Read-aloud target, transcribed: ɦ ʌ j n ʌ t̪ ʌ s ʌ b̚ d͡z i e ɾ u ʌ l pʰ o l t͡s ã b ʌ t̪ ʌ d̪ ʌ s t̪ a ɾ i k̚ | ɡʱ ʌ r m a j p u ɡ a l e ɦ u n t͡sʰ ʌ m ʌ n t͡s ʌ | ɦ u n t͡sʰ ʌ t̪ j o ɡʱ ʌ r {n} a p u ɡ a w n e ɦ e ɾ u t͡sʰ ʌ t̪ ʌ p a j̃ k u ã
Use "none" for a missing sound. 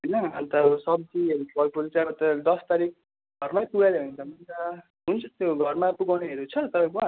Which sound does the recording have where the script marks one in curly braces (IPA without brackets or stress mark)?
m